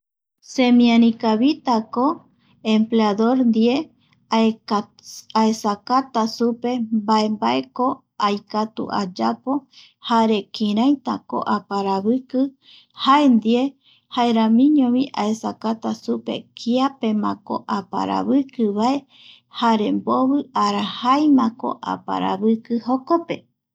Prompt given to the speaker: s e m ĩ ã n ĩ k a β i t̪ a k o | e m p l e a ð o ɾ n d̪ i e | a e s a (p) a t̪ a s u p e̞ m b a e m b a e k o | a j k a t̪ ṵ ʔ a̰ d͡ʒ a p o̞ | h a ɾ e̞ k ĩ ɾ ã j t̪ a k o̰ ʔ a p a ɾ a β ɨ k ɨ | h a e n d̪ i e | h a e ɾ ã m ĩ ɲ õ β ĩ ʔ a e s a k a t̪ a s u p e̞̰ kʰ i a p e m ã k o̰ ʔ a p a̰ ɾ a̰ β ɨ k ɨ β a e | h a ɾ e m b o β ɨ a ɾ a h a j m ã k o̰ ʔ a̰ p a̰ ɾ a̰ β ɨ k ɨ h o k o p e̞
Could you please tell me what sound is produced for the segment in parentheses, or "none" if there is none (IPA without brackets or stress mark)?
k